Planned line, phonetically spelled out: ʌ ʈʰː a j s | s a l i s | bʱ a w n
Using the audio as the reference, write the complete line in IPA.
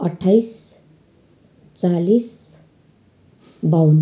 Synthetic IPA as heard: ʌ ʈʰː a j s | t͡s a l i s | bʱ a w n